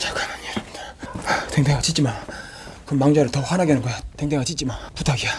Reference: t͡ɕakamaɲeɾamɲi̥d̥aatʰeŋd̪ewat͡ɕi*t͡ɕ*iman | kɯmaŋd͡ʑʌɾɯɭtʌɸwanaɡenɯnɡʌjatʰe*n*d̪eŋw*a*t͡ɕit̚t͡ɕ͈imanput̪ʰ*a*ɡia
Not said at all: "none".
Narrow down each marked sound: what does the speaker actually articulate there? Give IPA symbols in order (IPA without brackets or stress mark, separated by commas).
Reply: t͡ɕ, ŋ, a, a